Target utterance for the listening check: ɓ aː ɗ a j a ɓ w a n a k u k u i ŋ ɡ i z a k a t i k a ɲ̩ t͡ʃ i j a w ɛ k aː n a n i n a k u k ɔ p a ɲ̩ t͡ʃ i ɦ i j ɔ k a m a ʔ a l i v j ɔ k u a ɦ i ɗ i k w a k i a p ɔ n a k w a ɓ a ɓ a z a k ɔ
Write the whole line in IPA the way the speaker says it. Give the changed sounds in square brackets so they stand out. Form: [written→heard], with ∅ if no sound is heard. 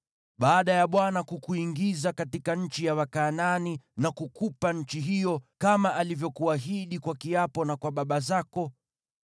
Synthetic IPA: ɓ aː ɗ a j a ɓ w a n a k u k u i ŋ ɡ i z a k a t i k a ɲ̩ t͡ʃ i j a w [ɛ→a] k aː n a n i n a k u k [ɔ→u] p a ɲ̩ t͡ʃ i ɦ i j ɔ k a m a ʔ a l i v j ɔ k u a ɦ i ɗ i k w a k i a p ɔ n a k w a ɓ a ɓ a z a k ɔ